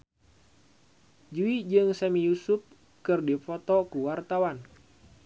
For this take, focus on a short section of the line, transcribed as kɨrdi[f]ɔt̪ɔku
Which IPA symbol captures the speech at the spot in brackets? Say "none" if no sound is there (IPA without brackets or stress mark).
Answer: f